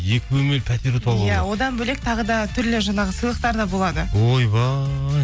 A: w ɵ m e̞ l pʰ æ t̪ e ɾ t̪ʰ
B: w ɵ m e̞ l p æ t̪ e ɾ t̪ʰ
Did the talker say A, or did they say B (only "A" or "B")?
A